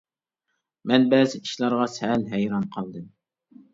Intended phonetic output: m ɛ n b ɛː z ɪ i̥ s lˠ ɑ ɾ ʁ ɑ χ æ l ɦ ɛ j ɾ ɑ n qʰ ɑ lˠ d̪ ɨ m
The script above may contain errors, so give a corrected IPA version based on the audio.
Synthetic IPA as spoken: m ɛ n b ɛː z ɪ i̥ ʃ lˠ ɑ ɾ ʁ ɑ s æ l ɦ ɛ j ɾ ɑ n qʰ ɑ lˠ d̪ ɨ m